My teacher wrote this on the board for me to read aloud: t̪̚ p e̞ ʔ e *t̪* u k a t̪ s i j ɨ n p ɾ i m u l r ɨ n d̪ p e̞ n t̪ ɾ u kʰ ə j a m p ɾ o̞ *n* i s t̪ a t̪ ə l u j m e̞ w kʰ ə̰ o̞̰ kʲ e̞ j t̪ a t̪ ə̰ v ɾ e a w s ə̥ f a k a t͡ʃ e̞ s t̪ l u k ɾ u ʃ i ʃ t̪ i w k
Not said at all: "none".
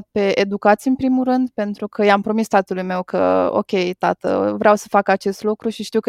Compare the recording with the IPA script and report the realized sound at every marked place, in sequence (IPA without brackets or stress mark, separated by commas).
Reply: d̪, m